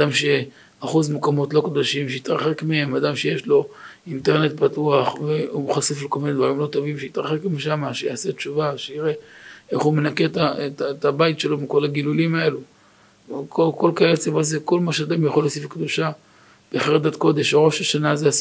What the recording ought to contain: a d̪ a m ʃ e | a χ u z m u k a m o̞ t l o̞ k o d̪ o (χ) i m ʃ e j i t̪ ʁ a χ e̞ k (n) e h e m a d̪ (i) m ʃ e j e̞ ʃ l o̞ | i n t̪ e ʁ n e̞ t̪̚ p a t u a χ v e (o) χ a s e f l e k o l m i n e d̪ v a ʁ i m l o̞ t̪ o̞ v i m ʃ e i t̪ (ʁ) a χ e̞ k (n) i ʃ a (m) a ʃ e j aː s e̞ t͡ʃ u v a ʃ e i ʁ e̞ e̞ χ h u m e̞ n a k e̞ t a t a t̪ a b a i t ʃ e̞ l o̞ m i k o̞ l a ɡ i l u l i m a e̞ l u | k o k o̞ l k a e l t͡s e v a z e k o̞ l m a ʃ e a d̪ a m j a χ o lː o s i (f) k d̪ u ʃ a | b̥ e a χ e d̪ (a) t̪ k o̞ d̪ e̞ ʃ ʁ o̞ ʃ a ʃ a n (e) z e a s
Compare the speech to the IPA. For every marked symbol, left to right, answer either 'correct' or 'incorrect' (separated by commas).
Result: incorrect, incorrect, incorrect, incorrect, correct, incorrect, correct, correct, correct, incorrect